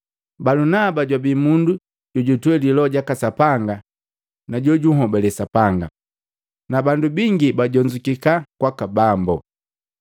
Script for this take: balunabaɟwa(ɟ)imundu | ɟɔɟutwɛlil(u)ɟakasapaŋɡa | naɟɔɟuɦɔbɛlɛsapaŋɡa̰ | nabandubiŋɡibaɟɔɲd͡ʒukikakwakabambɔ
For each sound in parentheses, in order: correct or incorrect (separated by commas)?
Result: incorrect, incorrect